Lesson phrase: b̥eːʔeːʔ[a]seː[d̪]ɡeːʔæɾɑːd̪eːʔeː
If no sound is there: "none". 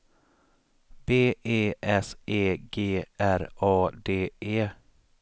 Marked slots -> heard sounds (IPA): ɛ, none

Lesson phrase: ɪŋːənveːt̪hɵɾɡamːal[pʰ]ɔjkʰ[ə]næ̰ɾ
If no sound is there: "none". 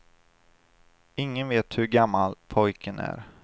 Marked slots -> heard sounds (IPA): pʰ, ə

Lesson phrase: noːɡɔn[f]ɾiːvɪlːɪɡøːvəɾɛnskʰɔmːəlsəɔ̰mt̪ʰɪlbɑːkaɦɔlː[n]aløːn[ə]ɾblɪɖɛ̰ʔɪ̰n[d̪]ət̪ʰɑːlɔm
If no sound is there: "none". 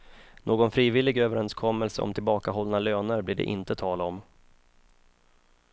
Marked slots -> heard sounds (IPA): f, n, ə, t̪

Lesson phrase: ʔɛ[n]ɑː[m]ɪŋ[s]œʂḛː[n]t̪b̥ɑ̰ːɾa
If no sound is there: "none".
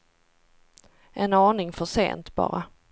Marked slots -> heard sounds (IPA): n, n, f, n

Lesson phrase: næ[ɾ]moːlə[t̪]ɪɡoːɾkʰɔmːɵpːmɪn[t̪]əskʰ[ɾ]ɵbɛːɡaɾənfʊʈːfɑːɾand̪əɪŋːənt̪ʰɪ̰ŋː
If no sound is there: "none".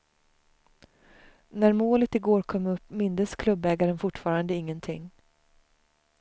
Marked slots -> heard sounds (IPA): ɾ, t̪, d̪, l

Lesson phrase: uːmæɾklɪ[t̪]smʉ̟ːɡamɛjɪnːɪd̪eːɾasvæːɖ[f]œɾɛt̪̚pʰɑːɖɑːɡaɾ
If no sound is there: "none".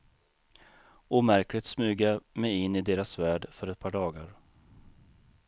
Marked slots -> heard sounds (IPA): t̪, f

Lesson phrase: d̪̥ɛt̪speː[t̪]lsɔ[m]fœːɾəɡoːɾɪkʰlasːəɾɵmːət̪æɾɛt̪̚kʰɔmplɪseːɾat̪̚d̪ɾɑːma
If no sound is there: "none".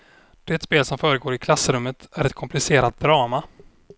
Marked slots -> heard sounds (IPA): none, m

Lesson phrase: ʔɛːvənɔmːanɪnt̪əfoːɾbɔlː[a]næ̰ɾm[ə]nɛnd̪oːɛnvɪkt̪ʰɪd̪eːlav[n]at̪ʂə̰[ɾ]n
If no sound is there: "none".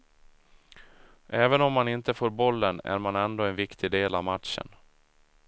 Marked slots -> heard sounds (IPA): ə, a, m, none

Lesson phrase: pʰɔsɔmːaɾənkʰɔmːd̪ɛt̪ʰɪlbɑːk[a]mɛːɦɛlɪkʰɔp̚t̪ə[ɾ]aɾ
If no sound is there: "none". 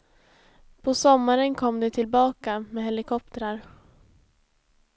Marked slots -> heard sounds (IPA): a, ɾ

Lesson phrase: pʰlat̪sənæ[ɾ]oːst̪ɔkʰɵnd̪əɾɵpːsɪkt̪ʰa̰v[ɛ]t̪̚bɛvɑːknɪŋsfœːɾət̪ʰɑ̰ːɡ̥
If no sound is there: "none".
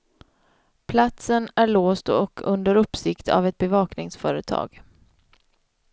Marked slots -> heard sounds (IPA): ɭ, ɛ

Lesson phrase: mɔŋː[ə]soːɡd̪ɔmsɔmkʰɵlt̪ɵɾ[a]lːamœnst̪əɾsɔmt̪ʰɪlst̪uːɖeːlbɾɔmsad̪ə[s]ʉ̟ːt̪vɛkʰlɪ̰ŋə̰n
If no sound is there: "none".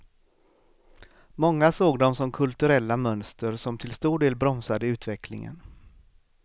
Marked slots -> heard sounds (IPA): a, ɛ, none

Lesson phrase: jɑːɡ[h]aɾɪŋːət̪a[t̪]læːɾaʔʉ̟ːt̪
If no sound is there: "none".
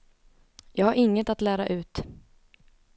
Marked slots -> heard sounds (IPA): h, t̪

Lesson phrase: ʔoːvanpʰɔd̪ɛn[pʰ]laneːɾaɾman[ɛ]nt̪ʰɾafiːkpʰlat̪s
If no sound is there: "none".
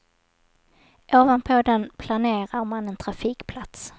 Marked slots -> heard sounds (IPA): pʰ, ɛ

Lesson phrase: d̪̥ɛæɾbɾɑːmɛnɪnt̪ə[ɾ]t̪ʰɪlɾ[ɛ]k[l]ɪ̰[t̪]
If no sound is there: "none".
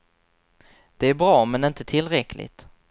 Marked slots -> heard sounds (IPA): none, ɛ, l, t̪

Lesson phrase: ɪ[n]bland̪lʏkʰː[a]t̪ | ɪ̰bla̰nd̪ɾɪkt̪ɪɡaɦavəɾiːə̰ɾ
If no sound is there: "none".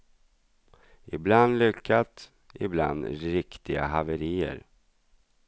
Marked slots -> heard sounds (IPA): none, a

